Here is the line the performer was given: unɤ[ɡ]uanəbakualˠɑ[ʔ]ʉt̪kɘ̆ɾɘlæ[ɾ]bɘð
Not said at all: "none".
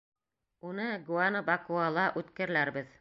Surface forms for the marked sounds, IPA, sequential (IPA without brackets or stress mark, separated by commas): ɡ, ʔ, ɾ